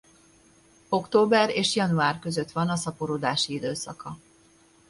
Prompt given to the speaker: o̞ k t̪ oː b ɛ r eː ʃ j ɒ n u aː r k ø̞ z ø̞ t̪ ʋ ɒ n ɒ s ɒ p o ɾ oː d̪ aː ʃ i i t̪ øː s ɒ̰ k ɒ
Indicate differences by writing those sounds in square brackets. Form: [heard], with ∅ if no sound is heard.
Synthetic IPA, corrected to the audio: o̞ k t̪ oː b ɛ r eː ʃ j ɒ n u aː r k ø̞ z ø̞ t̪ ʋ ɒ n ɒ s ɒ p o ɾ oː d̪ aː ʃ i i [d̪] øː s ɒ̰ k ɒ